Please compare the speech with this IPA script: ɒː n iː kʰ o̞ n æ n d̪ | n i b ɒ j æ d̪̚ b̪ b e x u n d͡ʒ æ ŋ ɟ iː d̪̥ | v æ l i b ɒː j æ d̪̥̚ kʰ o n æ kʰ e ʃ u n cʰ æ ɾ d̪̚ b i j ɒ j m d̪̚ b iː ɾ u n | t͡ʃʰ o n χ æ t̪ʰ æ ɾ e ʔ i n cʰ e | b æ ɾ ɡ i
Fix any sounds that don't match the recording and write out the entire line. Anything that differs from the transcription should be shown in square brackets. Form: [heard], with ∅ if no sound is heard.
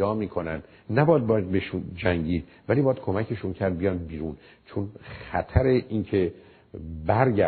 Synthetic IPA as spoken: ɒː [m] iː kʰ o̞ n æ n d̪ | n [æ] b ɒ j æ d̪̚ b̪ b e [ʃ] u n d͡ʒ æ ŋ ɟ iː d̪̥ | v æ l i b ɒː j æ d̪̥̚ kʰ o [m] æ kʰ e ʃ u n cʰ æ ɾ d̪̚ b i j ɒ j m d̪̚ b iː ɾ u n | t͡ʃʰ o n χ æ t̪ʰ æ ɾ e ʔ i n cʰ e | b æ ɾ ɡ [æ]